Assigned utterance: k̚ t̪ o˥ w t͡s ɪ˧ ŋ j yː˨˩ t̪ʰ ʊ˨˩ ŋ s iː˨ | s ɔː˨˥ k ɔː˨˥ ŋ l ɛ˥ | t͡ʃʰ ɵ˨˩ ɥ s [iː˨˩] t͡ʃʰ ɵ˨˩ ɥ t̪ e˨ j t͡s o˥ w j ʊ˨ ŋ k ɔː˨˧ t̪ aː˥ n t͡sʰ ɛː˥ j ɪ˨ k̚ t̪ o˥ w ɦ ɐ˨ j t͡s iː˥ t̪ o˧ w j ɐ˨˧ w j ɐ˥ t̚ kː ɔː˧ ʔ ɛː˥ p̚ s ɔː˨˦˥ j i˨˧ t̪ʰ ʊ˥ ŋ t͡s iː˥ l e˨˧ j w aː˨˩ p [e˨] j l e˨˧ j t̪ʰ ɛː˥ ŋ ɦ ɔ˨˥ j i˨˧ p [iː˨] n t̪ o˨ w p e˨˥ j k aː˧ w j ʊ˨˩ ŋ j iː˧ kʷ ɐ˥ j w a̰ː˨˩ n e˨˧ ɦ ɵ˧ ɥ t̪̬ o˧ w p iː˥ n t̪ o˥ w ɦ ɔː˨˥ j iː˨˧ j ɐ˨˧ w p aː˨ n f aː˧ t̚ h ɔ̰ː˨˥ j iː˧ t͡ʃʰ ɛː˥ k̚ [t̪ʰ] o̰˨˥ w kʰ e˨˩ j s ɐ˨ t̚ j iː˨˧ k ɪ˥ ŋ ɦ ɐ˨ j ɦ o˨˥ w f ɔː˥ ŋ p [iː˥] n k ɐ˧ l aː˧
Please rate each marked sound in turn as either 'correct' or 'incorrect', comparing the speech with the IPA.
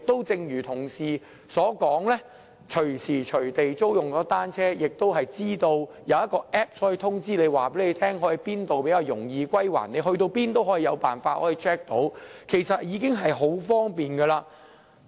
correct, incorrect: e˨˥, incorrect: iː˥, incorrect: t̪, incorrect: iː˨˩

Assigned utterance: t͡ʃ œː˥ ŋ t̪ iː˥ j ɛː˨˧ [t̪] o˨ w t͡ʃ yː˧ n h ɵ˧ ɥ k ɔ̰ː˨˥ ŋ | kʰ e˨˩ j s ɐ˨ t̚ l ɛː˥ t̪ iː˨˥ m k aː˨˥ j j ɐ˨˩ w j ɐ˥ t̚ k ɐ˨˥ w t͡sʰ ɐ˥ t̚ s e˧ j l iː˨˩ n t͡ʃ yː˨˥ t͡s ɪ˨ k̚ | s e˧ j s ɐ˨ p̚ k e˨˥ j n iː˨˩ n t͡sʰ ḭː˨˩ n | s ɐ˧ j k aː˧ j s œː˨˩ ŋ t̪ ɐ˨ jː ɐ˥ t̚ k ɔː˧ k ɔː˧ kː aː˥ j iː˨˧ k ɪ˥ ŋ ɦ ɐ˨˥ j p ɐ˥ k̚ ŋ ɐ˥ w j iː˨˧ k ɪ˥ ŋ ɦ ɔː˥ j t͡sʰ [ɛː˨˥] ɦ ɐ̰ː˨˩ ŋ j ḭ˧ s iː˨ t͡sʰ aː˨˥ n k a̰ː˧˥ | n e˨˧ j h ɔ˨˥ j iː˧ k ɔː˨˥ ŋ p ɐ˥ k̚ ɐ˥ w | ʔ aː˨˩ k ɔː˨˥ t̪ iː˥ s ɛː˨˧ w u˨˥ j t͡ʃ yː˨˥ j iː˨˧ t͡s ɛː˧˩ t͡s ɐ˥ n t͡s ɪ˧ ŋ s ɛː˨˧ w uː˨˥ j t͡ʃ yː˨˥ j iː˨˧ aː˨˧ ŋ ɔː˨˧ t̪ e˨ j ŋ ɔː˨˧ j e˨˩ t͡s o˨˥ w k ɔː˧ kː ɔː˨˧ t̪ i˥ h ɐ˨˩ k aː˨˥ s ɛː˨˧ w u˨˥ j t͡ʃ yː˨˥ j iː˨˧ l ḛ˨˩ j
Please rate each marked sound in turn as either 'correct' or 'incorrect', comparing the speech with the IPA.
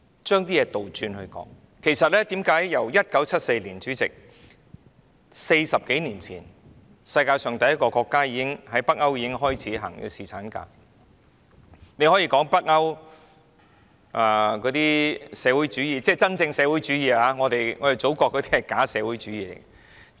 correct, incorrect: iː˨˥

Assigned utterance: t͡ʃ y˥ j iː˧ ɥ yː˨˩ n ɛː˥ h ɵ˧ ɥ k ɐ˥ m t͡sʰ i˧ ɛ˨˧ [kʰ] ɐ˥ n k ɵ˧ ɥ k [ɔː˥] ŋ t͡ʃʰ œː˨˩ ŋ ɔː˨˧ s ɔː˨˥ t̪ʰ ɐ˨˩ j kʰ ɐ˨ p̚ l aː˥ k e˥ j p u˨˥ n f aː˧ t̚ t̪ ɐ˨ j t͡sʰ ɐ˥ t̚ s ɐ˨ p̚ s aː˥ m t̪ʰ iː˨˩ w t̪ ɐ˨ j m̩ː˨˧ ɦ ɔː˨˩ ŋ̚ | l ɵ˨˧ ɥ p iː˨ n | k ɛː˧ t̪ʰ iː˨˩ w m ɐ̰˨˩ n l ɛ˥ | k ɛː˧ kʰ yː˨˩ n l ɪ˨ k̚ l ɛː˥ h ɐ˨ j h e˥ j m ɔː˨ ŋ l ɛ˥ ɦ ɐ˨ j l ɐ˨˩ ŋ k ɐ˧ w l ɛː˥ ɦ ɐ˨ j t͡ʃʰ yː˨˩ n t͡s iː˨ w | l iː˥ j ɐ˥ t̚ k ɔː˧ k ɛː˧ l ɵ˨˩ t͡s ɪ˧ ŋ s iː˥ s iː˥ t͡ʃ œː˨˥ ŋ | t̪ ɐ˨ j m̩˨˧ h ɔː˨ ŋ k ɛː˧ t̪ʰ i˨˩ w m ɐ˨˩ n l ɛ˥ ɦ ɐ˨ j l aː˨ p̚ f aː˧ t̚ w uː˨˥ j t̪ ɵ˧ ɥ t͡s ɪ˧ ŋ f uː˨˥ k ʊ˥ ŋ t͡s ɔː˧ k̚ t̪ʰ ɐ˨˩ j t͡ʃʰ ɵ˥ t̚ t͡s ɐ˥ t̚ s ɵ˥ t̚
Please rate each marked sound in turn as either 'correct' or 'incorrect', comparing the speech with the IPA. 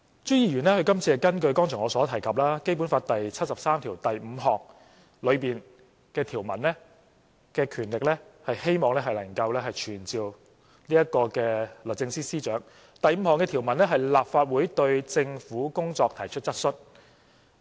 incorrect: k, correct

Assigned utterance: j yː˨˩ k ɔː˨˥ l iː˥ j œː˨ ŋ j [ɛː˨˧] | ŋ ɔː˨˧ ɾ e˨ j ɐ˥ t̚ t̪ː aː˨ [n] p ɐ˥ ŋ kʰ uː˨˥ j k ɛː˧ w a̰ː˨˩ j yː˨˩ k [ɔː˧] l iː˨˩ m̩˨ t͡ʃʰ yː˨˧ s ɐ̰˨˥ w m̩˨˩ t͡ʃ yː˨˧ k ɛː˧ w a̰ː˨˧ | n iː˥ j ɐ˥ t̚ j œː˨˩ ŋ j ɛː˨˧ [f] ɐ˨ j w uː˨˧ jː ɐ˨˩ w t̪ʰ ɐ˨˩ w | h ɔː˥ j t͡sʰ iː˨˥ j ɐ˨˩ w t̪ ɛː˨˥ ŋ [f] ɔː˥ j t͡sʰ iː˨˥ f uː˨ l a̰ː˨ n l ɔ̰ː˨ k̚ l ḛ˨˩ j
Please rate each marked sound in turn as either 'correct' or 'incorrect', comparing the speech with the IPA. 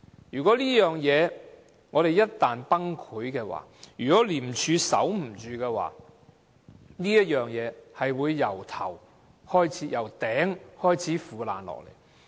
correct, correct, incorrect: ɔː˨˥, incorrect: h, incorrect: h

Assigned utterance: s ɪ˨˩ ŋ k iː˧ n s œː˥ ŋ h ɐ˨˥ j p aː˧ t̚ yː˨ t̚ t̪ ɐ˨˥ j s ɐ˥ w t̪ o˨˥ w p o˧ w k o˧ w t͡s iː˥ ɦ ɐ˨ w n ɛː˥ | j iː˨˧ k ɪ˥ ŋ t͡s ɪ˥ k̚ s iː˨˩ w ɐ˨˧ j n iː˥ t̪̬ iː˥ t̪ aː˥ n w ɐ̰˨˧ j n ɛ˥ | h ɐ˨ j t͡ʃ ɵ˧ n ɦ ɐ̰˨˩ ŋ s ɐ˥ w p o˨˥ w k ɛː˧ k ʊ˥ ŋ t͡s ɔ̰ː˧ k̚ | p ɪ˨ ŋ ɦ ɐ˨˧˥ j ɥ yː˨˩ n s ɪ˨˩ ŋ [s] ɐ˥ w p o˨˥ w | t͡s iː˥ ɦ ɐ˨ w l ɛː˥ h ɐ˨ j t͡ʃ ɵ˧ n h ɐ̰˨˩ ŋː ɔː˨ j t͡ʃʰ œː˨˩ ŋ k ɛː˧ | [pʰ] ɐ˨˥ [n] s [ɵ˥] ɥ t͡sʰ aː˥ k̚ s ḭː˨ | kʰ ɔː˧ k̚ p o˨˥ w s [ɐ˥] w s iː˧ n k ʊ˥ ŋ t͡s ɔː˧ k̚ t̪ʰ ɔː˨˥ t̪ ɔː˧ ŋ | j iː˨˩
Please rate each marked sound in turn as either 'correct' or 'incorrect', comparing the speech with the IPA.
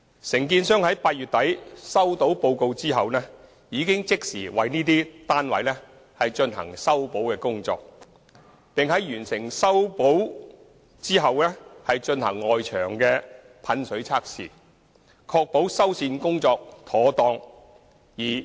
correct, correct, correct, incorrect: ɵ˨˥, correct

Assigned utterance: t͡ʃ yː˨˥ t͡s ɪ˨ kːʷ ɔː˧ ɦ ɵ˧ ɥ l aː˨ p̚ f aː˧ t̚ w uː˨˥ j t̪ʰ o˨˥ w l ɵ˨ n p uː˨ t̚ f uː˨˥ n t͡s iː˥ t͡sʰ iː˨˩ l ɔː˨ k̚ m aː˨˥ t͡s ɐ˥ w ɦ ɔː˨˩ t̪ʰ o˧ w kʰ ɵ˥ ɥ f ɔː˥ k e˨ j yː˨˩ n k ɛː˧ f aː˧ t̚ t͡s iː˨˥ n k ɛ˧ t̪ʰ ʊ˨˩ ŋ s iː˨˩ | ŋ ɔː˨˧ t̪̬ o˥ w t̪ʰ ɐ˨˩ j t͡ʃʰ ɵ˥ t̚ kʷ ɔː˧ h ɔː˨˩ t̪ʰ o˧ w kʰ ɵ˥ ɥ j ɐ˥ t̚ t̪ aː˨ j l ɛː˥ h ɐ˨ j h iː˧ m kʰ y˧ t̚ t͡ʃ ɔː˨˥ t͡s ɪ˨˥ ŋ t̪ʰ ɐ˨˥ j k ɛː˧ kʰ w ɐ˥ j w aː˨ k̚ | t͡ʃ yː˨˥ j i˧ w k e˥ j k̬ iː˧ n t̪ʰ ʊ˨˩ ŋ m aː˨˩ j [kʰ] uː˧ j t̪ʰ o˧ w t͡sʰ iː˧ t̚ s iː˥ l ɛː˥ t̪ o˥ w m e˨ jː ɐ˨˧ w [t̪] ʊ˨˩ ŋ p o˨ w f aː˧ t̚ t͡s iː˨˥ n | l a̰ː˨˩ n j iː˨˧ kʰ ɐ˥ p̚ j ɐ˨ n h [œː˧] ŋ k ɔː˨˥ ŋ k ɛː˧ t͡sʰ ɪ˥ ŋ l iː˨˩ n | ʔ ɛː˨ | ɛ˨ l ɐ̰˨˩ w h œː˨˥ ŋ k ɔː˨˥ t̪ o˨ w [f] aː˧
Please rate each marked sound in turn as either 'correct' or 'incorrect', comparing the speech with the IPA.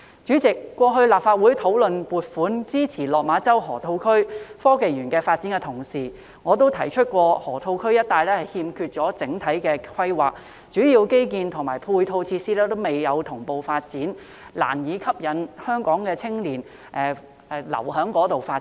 incorrect: pʰ, incorrect: t̪ʰ, incorrect: œː˥, correct

